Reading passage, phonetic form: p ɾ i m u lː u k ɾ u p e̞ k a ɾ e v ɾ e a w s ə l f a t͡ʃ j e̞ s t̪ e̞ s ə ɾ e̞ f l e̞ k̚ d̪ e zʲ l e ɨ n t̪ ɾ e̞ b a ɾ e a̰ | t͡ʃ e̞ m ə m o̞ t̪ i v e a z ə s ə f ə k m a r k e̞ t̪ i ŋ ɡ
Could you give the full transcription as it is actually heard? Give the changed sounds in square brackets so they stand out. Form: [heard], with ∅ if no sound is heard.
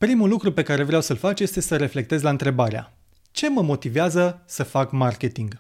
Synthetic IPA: p ɾ i m u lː u k ɾ u p e̞ k a ɾ e v ɾ e a w s ə l f a t͡ʃ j e̞ s t̪ e̞ s ə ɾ e̞ f l e̞ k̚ [t̪] e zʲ l [a] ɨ n t̪ ɾ e̞ b a ɾ e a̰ | t͡ʃ e̞ m ə m o̞ t̪ i v e a z ə s ə f [a] k m a r k e̞ t̪ i ŋ ɡ